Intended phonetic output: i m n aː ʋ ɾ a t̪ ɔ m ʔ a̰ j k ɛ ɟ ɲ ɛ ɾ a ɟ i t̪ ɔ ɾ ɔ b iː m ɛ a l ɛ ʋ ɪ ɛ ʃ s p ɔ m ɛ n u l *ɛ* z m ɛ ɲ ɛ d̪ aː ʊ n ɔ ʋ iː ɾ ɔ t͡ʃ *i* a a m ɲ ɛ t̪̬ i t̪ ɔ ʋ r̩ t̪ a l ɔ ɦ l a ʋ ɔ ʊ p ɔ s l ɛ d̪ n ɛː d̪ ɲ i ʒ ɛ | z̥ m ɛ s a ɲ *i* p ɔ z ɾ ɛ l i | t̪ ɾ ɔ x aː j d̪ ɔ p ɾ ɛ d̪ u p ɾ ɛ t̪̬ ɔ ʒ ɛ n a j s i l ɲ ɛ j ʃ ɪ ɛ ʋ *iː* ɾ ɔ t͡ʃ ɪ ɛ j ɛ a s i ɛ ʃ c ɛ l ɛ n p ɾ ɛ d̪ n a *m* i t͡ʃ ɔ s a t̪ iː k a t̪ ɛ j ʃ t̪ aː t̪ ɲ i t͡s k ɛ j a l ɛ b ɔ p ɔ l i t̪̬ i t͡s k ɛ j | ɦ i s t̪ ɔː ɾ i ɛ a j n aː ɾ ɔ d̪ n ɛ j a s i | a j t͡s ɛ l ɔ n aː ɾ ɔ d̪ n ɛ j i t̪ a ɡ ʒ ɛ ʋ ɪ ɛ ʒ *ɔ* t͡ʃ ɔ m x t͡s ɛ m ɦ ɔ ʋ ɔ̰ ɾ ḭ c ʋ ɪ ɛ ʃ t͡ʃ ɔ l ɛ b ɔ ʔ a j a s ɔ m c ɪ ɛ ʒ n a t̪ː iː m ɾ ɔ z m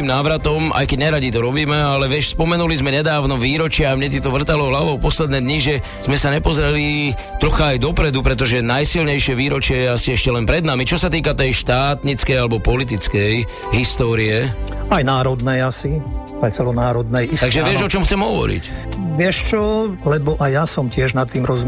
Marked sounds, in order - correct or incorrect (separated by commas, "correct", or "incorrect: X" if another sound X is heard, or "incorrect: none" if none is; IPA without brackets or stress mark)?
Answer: incorrect: i, incorrect: ɪ, incorrect: ɛ, correct, correct, correct